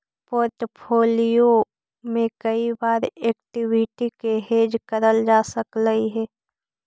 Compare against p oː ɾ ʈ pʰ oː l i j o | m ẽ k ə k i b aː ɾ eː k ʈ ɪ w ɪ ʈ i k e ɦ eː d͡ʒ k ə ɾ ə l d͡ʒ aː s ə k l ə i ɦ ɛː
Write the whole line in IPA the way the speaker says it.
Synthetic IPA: p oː ɾ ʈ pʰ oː l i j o | m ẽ k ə i b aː ɾ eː k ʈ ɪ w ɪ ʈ i k e ɦ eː d͡ʒ k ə ɾ ə l d͡ʒ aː s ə k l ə i ɦ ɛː